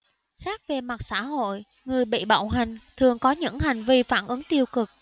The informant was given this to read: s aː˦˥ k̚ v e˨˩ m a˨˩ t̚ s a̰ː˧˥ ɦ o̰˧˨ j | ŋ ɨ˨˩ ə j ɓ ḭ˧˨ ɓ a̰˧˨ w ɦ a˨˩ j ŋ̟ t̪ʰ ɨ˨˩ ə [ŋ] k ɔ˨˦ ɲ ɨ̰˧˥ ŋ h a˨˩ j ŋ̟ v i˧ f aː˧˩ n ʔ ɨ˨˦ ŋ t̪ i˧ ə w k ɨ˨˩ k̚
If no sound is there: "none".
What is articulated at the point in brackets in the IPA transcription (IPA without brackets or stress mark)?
ŋ